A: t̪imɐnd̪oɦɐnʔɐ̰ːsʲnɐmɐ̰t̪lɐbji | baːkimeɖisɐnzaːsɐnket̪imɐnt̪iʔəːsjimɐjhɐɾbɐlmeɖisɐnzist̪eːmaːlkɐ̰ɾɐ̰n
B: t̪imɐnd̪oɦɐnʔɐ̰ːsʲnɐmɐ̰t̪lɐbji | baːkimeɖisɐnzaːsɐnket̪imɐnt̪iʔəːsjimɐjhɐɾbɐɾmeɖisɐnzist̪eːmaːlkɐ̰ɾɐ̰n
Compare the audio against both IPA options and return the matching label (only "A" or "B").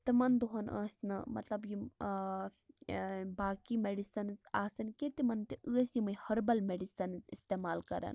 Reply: A